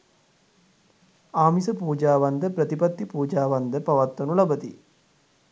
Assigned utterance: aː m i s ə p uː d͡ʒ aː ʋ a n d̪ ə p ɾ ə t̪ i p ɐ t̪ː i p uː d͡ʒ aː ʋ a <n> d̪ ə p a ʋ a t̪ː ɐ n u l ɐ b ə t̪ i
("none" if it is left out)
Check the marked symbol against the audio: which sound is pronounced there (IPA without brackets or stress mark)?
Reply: n